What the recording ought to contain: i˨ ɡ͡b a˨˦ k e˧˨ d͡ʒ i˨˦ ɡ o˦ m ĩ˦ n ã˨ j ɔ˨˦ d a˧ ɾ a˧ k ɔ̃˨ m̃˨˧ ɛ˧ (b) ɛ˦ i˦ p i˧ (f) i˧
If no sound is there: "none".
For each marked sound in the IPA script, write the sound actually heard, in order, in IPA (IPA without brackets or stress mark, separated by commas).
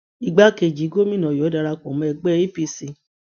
ɡ͡b, s